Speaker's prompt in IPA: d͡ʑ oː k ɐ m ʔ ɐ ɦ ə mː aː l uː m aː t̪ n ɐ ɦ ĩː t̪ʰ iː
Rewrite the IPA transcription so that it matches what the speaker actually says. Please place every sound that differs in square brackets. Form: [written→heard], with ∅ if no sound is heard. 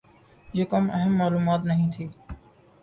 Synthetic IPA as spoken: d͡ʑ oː k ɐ m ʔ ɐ ɦ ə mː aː l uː m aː t̪ n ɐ ɦ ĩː t̪ʰ iː